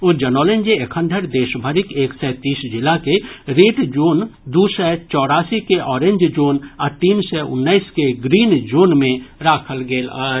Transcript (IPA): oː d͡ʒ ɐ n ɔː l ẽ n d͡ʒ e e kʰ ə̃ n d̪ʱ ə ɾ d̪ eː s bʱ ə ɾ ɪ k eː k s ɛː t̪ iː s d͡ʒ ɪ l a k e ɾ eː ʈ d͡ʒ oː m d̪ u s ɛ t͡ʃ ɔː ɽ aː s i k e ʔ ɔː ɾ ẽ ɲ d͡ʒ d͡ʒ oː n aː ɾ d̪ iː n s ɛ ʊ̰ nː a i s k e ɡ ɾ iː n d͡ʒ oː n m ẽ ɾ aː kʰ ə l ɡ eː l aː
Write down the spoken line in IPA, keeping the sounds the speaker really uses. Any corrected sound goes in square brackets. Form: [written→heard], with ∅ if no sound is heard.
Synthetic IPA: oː d͡ʒ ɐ n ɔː l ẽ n d͡ʒ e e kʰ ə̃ n d̪ʱ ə ɾ d̪ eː [s→ʃ] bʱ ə ɾ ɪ k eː k s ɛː t̪ iː s d͡ʒ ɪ l a k e ɾ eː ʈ d͡ʒ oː [m→n] d̪ u s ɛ t͡ʃ ɔː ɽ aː s i k e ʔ ɔː ɾ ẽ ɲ d͡ʒ d͡ʒ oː n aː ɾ [d̪→t̪] iː n s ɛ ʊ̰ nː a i s k e ɡ ɾ iː n d͡ʒ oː n m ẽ ɾ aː kʰ ə l ɡ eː l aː